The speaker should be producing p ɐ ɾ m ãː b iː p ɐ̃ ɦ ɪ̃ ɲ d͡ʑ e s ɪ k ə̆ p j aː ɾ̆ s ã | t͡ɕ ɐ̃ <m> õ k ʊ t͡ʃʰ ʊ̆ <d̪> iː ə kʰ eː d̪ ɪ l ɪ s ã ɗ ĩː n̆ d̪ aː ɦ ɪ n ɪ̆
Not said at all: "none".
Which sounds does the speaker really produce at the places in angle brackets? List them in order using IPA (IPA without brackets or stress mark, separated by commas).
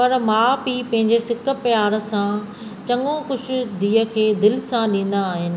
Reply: ŋ, d̪